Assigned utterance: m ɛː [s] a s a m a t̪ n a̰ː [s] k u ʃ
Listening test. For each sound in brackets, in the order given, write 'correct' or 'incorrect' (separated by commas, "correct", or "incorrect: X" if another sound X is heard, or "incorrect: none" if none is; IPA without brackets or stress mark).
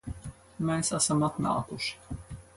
correct, incorrect: none